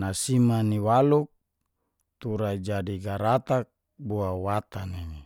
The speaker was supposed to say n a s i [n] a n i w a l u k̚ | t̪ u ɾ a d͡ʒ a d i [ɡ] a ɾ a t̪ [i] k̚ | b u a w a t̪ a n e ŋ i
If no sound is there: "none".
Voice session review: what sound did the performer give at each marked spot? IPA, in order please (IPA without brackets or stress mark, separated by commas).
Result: m, ɡ, a